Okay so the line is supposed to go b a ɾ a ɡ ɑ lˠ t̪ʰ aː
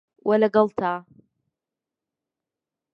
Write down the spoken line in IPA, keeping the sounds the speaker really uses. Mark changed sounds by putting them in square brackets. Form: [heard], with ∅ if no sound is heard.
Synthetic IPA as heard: [w] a [l] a ɡ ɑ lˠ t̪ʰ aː